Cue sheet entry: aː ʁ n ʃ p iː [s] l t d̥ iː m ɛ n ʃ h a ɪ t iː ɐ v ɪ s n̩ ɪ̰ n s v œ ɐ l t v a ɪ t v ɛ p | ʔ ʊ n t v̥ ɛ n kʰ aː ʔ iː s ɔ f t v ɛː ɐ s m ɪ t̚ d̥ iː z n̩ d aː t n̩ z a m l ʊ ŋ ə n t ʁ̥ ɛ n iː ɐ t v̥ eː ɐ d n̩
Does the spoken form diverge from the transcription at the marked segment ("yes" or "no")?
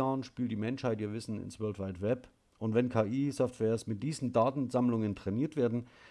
yes